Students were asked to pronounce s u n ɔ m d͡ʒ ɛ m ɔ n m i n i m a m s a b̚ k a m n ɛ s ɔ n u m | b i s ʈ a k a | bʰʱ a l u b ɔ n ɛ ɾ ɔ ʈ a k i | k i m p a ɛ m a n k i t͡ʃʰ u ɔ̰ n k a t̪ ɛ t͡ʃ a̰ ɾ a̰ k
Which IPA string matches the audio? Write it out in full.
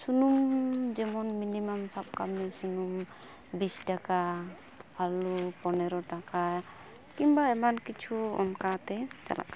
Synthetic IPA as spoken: s u n u m d͡ʒ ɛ m ɔ n m i n i m a m s a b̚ k a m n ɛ s u n u m | b i s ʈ a k a | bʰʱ a l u p ɔ n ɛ ɾ ɔ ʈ a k a | k i m b a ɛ m a n k i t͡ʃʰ u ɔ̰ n k a t̪ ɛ t͡ʃ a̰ l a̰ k